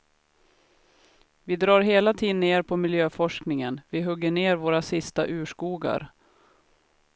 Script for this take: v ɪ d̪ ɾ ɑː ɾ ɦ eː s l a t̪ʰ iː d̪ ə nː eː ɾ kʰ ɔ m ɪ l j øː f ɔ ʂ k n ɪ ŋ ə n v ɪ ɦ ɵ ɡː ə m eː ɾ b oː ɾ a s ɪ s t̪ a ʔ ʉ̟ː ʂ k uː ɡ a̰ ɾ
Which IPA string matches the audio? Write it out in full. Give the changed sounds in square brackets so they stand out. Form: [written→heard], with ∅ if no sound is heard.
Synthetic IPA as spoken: v ɪ d̪ ɾ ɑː ɾ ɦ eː [s→∅] l a t̪ʰ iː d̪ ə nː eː ɾ [kʰ→pʰ] ɔ m ɪ l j øː f ɔ ʂ k n ɪ ŋ ə n v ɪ ɦ ɵ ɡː ə [m→ɳ] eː ɾ [b→v] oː ɾ a s ɪ s t̪ a ʔ ʉ̟ː ʂ k uː ɡ a̰ ɾ